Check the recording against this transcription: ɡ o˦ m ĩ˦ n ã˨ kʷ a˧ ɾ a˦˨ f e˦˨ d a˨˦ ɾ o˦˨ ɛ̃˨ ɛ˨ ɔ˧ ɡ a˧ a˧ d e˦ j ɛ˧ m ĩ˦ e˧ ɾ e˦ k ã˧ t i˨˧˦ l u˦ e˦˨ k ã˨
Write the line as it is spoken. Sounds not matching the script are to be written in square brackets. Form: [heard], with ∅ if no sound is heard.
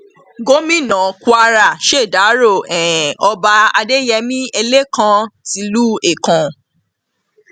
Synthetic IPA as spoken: ɡ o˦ m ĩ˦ n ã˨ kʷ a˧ ɾ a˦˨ [ʃ] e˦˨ d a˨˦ ɾ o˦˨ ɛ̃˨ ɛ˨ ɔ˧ [b] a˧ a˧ d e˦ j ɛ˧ m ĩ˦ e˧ [l] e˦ k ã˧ t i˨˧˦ l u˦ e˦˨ k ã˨